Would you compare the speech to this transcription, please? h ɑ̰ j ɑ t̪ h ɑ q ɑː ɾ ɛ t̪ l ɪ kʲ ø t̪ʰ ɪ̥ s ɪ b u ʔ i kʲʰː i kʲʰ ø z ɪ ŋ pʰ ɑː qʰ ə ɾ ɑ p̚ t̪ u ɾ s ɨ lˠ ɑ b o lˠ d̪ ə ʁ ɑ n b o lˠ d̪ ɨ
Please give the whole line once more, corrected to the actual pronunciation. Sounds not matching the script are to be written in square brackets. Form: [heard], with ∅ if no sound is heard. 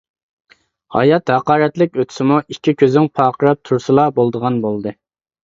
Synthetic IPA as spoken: h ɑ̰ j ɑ t̪ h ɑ q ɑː ɾ ɛ t̪ l ɪ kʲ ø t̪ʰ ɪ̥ s ɪ [m] u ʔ i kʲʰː i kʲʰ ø z ɪ ŋ pʰ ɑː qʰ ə ɾ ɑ p̚ [t̪ʰ] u ɾ s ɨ lˠ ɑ b o lˠ d̪ ə ʁ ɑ n b o lˠ d̪ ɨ